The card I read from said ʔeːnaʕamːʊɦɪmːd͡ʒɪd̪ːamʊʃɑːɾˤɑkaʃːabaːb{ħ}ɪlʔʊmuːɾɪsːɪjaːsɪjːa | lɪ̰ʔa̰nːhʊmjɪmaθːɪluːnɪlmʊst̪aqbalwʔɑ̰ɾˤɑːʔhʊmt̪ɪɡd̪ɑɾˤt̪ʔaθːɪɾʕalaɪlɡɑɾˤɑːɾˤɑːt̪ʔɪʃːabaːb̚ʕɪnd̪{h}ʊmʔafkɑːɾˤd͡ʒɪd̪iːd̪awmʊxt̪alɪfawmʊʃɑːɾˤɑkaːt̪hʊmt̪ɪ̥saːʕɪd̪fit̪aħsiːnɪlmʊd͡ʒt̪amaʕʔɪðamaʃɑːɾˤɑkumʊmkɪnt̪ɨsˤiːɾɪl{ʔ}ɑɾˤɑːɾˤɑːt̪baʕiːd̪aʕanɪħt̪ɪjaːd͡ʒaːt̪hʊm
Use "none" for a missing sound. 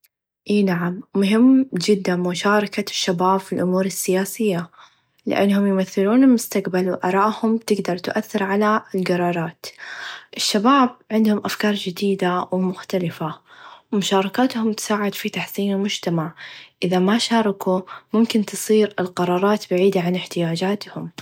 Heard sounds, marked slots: f, h, q

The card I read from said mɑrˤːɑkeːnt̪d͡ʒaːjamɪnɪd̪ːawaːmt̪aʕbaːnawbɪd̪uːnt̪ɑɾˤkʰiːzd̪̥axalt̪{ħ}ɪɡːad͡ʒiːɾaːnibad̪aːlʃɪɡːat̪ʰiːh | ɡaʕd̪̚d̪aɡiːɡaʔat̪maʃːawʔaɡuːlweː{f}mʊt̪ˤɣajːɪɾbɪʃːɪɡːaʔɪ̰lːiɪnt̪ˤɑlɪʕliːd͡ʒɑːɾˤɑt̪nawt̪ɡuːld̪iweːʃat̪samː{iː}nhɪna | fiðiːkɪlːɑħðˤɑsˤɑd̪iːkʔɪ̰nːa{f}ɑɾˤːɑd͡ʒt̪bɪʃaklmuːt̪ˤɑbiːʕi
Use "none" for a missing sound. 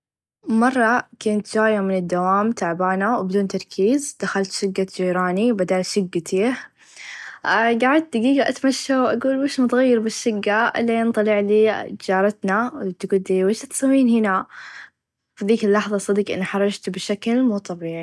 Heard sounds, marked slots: ʃ, ʃ, iː, ħ

